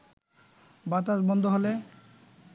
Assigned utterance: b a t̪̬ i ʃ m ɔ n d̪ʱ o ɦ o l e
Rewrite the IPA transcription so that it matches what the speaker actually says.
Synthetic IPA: b a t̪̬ a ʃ b ɔ n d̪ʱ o ɦ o l e